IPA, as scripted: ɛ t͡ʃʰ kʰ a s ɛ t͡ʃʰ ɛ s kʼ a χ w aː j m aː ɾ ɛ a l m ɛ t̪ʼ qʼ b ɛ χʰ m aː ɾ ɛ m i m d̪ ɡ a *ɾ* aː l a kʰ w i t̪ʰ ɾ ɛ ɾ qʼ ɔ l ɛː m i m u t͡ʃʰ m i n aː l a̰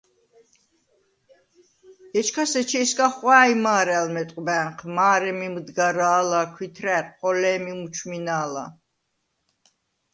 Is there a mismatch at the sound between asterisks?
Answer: no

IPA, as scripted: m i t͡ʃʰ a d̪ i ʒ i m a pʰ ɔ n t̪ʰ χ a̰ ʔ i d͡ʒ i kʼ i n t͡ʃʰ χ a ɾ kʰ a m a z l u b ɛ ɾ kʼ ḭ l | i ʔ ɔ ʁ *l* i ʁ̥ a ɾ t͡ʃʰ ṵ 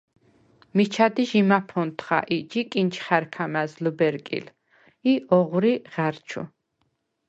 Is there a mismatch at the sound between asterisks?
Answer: yes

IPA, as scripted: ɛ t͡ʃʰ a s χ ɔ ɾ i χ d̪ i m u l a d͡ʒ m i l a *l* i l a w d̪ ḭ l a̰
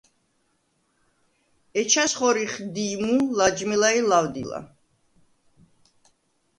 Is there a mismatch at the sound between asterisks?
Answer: yes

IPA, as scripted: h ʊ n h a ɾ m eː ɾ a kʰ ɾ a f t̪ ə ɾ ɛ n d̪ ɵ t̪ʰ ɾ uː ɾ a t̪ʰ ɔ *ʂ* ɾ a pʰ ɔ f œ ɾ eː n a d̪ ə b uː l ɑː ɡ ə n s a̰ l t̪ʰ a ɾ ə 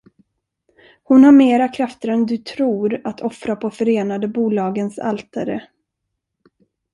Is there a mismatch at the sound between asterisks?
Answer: yes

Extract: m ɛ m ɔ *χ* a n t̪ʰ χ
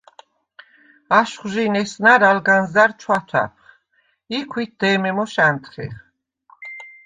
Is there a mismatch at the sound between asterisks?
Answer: yes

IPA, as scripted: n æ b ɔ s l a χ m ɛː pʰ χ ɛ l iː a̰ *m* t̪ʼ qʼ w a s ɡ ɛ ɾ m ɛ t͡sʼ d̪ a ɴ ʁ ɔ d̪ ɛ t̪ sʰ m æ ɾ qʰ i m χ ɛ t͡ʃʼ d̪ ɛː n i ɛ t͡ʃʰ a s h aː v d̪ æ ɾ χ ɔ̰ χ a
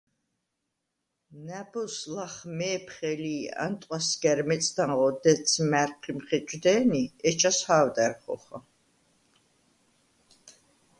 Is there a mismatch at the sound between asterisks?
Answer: yes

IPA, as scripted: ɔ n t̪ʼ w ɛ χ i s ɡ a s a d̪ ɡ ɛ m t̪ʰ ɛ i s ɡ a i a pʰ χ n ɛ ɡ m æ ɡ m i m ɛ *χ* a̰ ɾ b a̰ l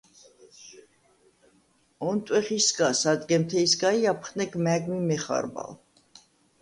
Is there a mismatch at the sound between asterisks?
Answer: no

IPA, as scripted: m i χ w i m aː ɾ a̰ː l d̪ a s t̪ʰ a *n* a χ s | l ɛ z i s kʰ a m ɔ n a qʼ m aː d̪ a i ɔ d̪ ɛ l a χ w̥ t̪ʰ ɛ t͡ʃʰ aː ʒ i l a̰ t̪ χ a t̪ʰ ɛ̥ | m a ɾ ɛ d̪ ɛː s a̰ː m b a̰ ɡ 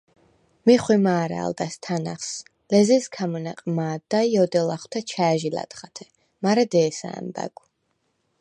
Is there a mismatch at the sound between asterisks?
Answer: no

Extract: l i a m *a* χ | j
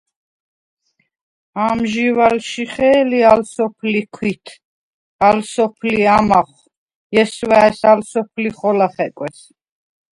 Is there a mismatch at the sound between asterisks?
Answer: no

